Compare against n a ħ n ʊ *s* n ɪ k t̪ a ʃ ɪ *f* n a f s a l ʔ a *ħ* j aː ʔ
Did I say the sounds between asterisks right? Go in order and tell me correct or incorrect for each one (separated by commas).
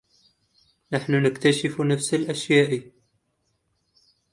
incorrect, correct, incorrect